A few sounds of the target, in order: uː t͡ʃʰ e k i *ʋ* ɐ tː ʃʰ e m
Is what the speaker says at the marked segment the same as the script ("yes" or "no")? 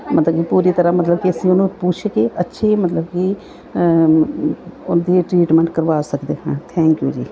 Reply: no